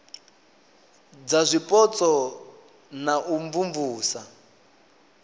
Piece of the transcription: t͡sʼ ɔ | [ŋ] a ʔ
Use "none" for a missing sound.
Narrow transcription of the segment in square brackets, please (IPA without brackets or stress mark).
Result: n